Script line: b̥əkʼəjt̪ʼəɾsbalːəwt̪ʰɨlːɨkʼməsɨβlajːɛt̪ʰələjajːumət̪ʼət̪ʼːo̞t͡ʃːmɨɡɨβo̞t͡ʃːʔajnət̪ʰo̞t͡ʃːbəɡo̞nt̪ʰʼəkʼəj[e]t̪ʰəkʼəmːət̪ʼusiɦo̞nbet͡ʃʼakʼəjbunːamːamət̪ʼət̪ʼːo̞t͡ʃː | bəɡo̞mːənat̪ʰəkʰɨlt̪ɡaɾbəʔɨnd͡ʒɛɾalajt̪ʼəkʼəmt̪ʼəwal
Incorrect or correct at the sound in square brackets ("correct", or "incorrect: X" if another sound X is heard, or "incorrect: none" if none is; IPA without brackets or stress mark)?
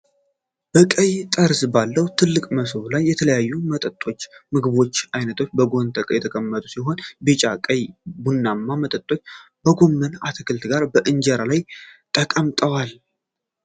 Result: incorrect: ɛ